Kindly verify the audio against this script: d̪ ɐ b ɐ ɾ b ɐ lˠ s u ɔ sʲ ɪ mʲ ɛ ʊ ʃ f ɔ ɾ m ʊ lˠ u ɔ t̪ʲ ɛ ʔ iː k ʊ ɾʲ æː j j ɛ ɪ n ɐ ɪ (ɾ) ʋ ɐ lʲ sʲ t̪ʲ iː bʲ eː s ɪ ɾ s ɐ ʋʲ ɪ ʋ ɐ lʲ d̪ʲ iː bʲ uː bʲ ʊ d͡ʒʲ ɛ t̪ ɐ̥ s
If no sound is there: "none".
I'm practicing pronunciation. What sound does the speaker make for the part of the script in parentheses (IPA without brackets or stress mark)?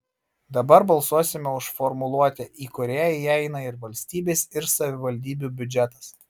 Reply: ɾ